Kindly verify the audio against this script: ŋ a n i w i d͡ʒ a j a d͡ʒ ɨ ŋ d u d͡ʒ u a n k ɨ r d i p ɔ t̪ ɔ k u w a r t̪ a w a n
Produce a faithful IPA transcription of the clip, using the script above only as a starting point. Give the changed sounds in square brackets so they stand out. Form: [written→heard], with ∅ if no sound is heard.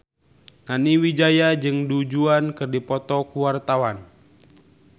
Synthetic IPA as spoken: ŋ a n i w i d͡ʒ a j a d͡ʒ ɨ ŋ d u d͡ʒ u a n k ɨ r d i p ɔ t̪ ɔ k u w a r t̪ a w a n